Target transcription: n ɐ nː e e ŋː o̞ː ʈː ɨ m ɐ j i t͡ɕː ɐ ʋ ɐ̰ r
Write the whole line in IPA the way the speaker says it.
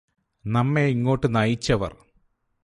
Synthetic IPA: n ɐ mː e i ŋː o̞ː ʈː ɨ n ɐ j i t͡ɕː ɐ ʋ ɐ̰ r